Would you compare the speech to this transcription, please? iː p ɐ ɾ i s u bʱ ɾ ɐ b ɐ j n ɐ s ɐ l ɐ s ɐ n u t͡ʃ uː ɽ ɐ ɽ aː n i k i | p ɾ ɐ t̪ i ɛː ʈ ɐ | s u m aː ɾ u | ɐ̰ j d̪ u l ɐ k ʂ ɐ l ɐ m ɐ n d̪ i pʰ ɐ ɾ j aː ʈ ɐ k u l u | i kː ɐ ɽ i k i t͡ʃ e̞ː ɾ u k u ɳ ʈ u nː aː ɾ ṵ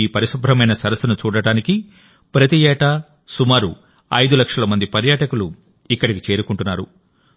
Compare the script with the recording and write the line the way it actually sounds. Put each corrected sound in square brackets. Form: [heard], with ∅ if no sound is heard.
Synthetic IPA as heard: iː p ɐ ɾ i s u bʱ ɾ ɐ [m] ɐ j n ɐ s ɐ [ɾ] ɐ s ɐ n u t͡ʃ uː ɽ ɐ ɽ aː n i k i | p ɾ ɐ t̪ i ɛː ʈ ɐ | s u m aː ɾ u | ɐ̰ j d̪ u l ɐ k ʂ ɐ l ɐ m ɐ n d̪ i [p] ɐ ɾ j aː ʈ ɐ k u l u | i kː ɐ ɽ i k i t͡ʃ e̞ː ɾ u k u ɳ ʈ u nː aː ɾ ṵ